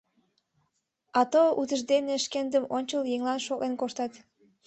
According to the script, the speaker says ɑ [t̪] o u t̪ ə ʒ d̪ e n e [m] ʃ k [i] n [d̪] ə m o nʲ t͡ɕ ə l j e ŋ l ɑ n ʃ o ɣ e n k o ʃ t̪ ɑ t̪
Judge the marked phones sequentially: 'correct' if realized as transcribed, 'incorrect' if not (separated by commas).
correct, incorrect, incorrect, correct